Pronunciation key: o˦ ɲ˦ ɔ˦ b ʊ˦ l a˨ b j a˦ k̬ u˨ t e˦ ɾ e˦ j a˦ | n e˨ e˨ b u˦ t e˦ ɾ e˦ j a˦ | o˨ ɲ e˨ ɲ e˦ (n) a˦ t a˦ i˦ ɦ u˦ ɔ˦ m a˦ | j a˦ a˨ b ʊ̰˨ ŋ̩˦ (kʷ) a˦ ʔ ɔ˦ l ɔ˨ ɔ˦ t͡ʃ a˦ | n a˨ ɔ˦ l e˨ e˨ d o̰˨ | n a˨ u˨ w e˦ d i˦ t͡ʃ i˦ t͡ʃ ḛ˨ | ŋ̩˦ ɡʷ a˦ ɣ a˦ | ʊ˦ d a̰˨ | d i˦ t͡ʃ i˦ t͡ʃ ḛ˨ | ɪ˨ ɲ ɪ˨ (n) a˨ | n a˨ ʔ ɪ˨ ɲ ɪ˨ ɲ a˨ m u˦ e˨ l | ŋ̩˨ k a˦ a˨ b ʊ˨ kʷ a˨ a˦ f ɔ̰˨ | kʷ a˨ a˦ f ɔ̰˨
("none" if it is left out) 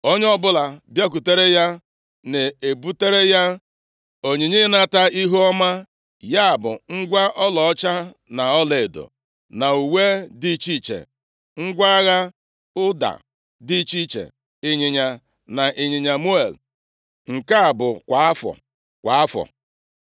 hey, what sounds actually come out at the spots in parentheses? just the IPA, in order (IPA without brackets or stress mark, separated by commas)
n, ɡʷ, ɲ